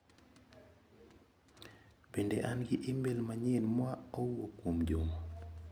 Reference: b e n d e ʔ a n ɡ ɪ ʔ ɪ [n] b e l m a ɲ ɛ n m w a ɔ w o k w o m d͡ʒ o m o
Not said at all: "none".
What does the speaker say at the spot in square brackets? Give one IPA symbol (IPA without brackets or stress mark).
m